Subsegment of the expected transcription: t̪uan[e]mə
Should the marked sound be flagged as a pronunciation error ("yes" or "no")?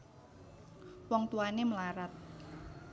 no